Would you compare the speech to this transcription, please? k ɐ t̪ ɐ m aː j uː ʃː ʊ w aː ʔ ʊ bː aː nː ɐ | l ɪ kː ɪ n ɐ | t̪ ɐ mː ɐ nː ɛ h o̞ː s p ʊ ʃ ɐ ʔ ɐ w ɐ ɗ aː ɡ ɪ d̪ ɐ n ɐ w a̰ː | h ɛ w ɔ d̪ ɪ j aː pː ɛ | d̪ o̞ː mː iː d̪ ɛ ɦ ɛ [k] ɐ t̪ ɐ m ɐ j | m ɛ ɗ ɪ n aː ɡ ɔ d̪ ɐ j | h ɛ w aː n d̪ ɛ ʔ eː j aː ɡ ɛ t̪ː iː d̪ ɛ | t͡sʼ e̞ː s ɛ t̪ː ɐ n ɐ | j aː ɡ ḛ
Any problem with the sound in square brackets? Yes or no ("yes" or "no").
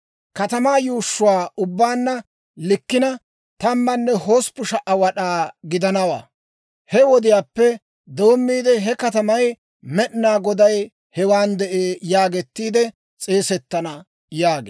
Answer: no